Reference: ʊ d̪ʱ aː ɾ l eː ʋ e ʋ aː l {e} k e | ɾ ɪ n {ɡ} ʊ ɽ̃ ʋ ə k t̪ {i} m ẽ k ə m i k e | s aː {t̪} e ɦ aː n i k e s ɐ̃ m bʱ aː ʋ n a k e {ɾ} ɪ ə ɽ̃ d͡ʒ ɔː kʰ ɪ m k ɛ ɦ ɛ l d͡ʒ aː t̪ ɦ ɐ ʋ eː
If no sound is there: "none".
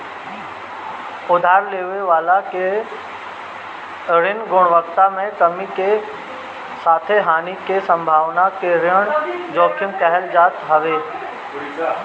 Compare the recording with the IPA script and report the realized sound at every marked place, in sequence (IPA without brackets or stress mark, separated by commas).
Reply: a, ɡ, a, t̪ʰ, ɾ